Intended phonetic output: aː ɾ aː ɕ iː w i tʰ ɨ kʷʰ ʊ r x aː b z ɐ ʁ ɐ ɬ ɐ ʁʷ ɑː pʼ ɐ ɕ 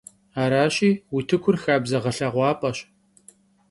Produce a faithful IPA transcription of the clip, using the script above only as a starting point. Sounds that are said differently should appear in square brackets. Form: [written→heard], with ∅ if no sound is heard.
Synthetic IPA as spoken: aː ɾ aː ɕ iː w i tʰ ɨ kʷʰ ʊ r x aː b z ɐ ʁ ɐ ɬ ɐ ʁʷ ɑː pʼ ɐ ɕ